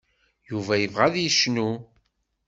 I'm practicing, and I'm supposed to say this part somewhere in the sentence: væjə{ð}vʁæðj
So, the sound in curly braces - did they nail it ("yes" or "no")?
no